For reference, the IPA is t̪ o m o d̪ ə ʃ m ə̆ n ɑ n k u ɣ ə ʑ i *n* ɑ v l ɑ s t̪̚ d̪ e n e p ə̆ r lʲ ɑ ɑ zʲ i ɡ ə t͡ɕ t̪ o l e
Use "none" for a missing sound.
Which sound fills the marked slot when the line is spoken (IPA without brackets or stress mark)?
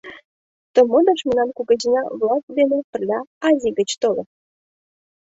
n